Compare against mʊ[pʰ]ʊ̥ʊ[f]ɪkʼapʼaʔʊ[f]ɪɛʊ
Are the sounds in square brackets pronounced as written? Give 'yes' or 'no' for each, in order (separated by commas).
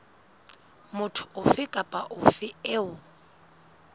no, yes, yes